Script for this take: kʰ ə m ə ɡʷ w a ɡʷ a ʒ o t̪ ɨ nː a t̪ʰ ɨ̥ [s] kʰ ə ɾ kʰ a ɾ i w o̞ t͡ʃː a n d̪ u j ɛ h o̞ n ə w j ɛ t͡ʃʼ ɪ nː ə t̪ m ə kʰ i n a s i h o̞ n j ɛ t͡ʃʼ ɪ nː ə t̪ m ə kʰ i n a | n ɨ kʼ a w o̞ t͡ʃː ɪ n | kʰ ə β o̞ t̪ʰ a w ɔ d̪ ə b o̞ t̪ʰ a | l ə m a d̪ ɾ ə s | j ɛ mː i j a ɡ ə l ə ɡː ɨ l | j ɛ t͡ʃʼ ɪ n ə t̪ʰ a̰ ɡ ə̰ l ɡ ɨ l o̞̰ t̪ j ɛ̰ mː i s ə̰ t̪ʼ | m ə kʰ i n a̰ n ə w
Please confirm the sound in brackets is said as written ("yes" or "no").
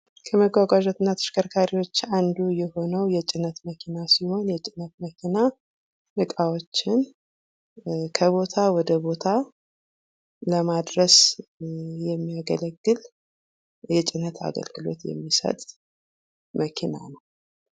no